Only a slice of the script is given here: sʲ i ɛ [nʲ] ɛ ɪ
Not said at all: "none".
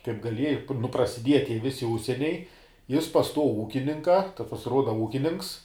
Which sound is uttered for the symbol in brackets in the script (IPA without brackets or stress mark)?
nʲ